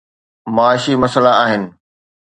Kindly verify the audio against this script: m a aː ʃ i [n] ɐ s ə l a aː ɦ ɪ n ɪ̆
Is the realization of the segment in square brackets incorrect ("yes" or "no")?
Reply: yes